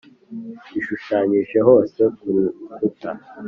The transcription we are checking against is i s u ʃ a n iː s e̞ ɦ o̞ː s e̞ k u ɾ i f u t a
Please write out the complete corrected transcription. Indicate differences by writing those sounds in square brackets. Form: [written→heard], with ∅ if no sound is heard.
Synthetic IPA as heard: i [s→ʃ] u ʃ a [n→ɲ] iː [s→ʃ] e̞ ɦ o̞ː s e̞ k u ɾ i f u t a